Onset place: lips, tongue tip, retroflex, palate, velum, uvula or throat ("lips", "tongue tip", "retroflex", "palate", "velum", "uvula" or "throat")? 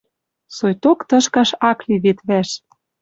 tongue tip